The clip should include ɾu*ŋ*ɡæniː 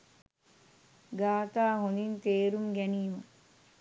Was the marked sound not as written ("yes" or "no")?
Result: yes